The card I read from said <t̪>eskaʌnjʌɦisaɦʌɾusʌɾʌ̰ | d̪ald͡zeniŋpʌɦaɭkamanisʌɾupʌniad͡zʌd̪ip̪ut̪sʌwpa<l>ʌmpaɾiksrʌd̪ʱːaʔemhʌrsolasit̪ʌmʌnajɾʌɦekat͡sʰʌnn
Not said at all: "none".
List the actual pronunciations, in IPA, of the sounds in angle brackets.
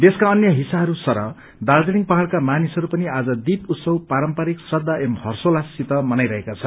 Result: d̪, ɾ

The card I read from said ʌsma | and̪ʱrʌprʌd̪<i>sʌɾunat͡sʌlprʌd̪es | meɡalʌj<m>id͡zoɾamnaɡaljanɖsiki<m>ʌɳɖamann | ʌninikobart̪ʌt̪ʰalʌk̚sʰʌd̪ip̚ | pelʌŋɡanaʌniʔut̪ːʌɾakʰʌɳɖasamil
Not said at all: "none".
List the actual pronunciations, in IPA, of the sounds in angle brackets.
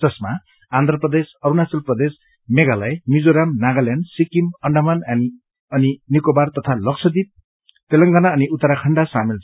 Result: e, m, m

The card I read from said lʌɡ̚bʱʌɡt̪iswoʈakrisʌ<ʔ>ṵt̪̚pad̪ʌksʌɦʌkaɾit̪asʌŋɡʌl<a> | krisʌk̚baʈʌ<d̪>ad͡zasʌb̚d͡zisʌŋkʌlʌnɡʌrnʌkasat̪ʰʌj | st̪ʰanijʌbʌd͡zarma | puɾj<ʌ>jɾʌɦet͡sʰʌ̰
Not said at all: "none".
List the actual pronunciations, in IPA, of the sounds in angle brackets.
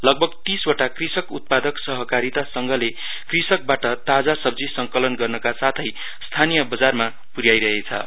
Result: k, e, t̪, a

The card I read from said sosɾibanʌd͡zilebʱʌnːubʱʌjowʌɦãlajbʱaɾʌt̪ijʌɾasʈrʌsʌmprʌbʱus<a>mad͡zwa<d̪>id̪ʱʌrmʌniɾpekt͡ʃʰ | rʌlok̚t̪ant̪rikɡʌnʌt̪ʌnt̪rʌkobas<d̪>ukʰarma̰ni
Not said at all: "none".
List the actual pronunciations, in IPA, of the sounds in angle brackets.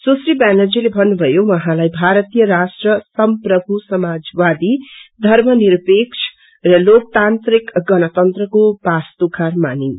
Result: ʌ, d̪, t̪

